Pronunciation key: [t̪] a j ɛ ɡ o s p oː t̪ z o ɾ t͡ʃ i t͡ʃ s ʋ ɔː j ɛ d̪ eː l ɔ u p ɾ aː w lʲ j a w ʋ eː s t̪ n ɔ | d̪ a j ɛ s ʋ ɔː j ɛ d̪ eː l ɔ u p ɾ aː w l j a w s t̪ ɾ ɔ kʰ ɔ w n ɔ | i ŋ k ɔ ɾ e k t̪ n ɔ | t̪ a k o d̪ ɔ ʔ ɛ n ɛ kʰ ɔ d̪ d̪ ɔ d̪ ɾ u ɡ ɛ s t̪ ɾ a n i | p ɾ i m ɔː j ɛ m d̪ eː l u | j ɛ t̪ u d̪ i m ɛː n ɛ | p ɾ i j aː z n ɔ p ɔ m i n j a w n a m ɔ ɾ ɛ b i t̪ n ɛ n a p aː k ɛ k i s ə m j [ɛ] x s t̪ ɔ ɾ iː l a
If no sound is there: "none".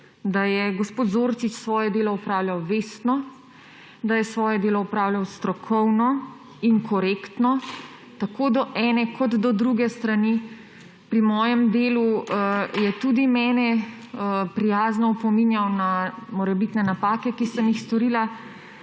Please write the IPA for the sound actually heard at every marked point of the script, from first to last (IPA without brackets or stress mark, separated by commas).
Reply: d̪, i